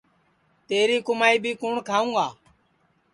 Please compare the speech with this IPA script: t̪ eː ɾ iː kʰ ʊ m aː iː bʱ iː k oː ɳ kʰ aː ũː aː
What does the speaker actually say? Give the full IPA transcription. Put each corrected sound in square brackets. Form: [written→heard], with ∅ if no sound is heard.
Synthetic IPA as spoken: t̪ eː ɾ iː [kʰ→k] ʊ m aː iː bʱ iː k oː ɳ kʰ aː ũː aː